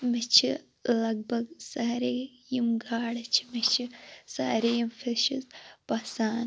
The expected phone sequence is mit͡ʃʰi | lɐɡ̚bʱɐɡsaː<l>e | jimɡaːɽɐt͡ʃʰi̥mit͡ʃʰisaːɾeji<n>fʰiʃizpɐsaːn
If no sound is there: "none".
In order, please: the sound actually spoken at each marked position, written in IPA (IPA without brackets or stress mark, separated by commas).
ɾ, m